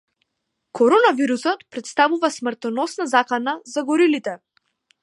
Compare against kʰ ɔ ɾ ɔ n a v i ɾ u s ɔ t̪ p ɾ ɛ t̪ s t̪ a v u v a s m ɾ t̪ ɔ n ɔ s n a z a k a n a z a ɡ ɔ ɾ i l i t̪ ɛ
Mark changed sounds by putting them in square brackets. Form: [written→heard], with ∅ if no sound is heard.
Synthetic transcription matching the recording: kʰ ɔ ɾ ɔ n a v i ɾ u s ɔ t̪ p ɾ ɛ t̪ s t̪ a v u v a s m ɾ t̪ ɔ n ɔ s n a z a k a n a z a ɡ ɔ ɾ i l i t̪ ɛ